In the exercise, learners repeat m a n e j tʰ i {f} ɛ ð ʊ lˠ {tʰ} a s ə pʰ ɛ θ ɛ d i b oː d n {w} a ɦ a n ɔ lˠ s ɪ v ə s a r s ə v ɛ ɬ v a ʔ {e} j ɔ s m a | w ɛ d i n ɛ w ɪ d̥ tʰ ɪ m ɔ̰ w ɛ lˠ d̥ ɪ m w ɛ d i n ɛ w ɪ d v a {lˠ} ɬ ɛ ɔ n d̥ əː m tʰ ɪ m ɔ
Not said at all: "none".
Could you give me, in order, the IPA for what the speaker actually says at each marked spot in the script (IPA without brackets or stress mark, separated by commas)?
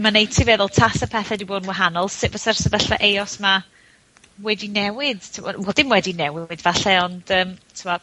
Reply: v, tʰ, w, e, none